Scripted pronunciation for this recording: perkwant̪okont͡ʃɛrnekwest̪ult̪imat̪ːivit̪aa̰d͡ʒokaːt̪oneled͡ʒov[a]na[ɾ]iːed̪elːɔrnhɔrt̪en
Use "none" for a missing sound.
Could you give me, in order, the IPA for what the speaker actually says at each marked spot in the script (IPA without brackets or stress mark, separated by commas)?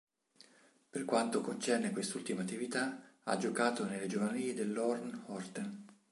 a, l